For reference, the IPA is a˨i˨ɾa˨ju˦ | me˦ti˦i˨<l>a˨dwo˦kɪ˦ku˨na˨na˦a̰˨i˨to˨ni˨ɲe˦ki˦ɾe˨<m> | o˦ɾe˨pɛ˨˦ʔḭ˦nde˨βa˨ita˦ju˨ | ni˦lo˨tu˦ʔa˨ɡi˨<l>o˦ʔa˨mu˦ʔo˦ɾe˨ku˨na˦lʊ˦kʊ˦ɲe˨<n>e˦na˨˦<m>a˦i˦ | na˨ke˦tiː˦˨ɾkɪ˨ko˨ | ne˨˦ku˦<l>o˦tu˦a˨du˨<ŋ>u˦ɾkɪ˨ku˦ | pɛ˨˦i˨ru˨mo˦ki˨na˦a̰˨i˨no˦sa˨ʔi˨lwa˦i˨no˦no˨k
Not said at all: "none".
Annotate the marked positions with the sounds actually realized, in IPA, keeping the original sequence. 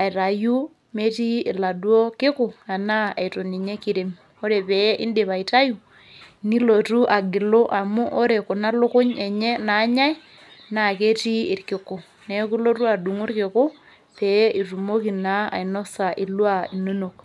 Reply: l, m, l, ɲ, ɲ, l, ŋ

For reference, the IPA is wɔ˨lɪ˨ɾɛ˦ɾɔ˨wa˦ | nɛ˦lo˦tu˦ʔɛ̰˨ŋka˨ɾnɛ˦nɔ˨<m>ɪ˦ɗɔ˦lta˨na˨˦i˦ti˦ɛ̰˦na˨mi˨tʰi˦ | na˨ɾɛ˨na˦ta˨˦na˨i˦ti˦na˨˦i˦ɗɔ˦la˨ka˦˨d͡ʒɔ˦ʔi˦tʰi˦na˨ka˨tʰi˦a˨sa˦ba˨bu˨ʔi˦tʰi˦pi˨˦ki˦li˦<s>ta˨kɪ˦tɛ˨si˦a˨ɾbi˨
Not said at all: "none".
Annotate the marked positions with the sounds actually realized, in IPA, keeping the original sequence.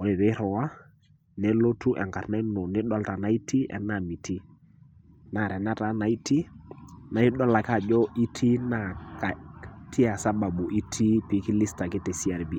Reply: n, s

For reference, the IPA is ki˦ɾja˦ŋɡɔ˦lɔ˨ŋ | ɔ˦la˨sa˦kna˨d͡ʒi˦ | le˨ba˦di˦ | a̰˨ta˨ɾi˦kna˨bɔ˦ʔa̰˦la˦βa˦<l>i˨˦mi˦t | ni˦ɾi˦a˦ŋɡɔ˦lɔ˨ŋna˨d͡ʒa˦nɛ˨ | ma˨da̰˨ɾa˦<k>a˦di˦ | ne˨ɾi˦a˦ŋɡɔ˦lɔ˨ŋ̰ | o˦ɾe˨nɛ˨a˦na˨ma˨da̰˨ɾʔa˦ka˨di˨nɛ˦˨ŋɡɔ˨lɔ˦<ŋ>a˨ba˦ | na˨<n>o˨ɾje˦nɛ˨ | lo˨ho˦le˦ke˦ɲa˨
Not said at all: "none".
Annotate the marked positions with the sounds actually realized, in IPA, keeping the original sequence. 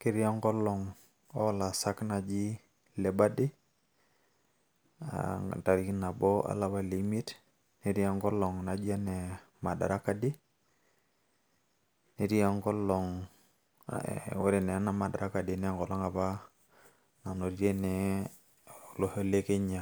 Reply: l, k, ŋ, n

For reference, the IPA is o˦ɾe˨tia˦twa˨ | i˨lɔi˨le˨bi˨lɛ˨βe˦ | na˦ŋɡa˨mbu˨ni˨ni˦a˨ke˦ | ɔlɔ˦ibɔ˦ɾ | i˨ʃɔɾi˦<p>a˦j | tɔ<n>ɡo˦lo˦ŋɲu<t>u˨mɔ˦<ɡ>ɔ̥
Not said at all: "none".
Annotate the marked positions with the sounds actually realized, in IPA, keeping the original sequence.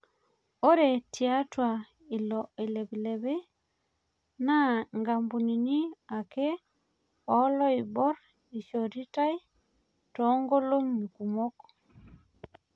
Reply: t, ŋ, k, k

